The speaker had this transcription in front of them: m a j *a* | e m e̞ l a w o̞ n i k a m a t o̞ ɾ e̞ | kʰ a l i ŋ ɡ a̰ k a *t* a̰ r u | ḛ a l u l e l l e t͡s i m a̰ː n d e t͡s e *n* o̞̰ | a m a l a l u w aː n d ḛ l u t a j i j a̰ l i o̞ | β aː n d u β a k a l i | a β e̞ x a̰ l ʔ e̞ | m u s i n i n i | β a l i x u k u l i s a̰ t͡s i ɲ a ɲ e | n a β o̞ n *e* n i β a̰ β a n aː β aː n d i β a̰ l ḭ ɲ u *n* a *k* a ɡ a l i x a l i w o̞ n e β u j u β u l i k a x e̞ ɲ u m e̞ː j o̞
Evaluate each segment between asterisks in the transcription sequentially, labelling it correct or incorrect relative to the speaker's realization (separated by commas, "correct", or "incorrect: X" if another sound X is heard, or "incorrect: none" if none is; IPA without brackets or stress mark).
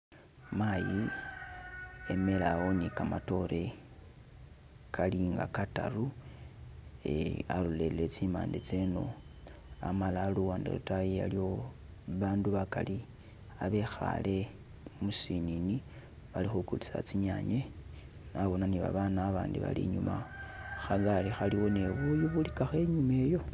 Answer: incorrect: i, correct, correct, incorrect: a, incorrect: m, incorrect: x